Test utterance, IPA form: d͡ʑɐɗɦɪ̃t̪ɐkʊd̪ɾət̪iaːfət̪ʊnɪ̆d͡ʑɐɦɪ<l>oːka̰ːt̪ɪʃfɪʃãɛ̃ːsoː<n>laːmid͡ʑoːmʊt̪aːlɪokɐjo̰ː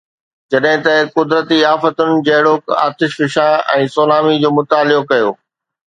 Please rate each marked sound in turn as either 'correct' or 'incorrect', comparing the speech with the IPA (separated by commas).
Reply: incorrect, incorrect